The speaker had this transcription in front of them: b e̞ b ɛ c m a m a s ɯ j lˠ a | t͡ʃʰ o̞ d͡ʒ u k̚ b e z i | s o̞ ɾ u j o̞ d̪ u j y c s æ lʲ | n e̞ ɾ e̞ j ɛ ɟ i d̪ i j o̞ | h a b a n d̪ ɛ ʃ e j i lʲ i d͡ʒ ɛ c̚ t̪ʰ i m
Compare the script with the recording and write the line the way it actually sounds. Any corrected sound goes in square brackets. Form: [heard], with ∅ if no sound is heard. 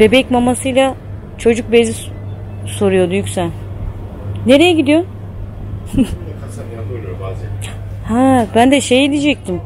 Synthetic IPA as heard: b e̞ b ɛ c m a m a s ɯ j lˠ a | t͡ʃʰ o̞ d͡ʒ u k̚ b e z i | s o̞ ɾ u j o̞ d̪ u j y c s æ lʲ | n e̞ ɾ e̞ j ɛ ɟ i d̪ i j o̞ | h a b [æ] n d̪ ɛ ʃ e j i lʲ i d͡ʒ ɛ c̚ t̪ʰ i m

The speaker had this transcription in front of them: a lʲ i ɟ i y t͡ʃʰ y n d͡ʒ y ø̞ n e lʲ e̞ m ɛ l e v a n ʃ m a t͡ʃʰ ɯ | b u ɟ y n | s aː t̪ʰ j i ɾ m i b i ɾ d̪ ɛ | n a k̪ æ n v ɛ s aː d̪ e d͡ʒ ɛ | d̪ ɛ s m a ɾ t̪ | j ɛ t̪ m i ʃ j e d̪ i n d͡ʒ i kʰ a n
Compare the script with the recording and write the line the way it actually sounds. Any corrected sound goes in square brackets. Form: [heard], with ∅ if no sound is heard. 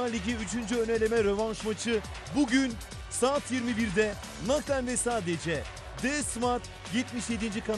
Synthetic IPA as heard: a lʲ i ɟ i y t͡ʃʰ y n d͡ʒ y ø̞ n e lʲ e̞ m ɛ [ɾ] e v a n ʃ m a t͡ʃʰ ɯ | b u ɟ y n | s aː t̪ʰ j i ɾ m i b i ɾ d̪ ɛ | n a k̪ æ n v ɛ s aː d̪ e d͡ʒ ɛ | d̪ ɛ s m a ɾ t̪ | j ɛ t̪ m i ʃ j e d̪ i n d͡ʒ i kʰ a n

